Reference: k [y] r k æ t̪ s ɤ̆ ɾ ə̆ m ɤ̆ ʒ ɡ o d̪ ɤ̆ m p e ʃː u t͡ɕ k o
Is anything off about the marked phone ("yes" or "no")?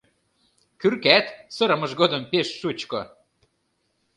no